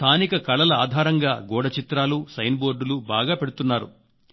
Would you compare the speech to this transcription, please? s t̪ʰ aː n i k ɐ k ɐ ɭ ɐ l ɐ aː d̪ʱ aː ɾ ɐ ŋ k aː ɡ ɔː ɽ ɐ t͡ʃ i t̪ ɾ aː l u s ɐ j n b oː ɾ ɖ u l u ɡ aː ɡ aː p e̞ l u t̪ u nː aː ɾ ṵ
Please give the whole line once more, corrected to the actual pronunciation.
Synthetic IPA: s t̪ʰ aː n i k ɐ k ɐ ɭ ɐ l ɐ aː d̪ʱ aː ɾ ɐ ŋ ɡ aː ɡ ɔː ɽ ɐ t͡ʃ i t̪ ɾ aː l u s ɐ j n b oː ɾ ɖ u l u b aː ɡ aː p e̞ ɽ u t̪ u nː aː ɾ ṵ